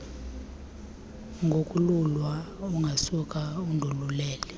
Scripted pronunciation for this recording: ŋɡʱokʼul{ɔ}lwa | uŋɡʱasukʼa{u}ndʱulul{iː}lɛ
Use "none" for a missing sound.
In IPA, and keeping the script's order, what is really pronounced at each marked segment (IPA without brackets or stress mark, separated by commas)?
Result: u, u, ɛː